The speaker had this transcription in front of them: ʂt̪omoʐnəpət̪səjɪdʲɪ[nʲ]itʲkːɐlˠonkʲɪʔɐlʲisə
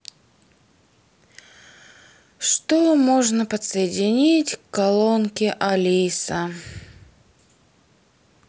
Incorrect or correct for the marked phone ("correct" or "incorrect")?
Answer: correct